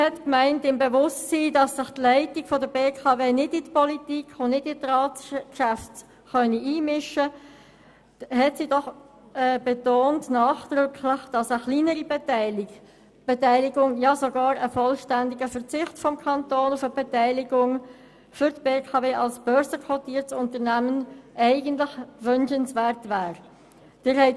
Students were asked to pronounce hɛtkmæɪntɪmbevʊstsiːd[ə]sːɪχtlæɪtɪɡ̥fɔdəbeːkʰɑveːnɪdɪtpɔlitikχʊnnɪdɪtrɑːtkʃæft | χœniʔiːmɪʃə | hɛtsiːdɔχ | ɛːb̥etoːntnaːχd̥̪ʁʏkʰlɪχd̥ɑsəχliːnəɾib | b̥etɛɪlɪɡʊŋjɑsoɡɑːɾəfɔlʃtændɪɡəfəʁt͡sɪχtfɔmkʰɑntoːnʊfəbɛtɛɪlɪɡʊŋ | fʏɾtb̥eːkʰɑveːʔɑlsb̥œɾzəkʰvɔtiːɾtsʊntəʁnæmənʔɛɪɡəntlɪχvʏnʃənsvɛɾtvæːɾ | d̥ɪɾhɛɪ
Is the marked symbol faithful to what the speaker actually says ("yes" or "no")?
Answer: no